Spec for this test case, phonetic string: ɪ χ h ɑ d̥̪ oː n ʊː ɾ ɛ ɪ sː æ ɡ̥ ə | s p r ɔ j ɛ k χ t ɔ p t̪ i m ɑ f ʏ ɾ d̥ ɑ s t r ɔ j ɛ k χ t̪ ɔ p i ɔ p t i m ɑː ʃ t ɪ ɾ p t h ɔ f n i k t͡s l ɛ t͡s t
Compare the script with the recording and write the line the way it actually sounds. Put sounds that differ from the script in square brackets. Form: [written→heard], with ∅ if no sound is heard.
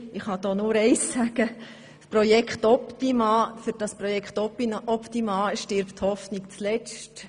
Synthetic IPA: ɪ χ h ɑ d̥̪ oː n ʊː ɾ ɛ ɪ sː æ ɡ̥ ə | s p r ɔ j ɛ k χ t ɔ p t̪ i m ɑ f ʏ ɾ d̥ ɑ s [t→p] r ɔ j ɛ k χ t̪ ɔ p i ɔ p t i m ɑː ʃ t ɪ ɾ p t h ɔ f n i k t͡s l ɛ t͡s t